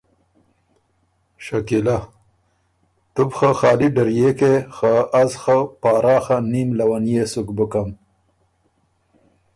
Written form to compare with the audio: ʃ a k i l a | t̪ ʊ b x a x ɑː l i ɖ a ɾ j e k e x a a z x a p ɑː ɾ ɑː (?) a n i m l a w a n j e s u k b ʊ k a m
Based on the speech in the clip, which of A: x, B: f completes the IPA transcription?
A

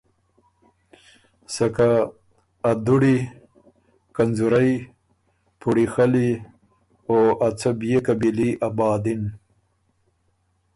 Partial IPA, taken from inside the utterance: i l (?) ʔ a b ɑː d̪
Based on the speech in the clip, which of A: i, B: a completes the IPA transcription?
A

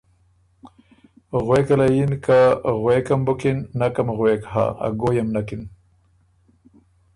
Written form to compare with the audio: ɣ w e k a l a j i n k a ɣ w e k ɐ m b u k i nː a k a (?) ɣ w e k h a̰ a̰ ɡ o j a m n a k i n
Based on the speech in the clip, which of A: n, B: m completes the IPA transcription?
B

